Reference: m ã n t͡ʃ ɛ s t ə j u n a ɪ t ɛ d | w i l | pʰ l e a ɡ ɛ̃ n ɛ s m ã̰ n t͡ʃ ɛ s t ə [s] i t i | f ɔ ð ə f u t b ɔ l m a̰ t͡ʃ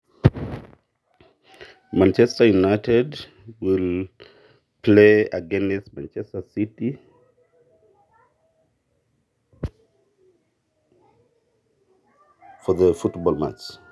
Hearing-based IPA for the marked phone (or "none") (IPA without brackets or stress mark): s